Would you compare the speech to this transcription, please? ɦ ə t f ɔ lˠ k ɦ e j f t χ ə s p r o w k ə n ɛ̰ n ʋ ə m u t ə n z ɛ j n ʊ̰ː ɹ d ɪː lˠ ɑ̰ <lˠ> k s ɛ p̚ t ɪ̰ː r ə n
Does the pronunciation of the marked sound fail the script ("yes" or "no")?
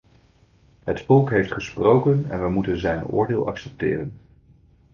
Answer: yes